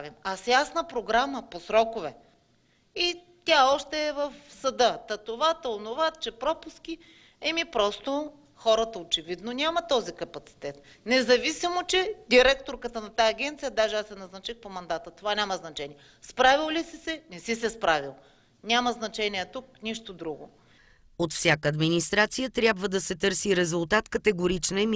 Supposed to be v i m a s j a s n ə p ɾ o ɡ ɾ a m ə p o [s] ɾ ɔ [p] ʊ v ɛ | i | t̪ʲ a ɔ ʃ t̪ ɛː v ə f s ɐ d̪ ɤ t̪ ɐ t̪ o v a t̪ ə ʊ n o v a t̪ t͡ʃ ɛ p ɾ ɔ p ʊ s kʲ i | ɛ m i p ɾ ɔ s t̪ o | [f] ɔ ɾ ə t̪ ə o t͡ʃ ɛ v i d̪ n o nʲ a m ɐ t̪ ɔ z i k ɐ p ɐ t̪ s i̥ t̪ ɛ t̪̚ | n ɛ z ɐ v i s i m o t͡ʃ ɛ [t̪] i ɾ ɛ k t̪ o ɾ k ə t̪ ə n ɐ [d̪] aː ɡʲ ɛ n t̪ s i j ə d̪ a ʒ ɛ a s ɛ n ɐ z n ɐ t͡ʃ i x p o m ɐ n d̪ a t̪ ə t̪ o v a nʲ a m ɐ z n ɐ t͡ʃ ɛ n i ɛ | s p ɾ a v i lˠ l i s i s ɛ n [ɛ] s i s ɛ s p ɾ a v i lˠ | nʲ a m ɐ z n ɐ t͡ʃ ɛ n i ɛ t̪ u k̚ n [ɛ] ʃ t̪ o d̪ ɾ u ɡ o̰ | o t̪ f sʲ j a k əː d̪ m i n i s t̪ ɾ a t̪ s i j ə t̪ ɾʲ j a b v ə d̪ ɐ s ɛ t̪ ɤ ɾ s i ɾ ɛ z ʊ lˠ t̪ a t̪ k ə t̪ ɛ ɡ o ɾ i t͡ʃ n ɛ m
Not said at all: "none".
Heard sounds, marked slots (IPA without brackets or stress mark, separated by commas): s, k, x, d̪, t̪, ɛ, i